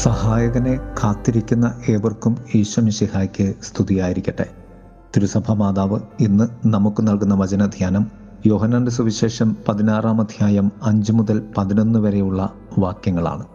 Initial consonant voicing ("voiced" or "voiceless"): voiceless